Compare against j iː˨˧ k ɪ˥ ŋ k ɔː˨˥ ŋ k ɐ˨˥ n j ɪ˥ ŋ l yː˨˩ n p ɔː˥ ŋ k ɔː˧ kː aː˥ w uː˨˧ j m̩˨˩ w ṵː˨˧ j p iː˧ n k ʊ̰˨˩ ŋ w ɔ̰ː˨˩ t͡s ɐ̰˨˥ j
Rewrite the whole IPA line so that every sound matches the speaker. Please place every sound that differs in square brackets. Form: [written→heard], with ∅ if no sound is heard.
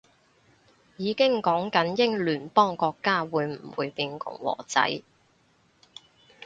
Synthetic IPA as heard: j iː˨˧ k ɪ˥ ŋ k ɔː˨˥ ŋ k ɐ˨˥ n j ɪ˥ ŋ l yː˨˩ n p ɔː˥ ŋ k ɔː˧ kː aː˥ w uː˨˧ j m̩˨˩ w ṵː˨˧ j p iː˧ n k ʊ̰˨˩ ŋ w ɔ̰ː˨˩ t͡s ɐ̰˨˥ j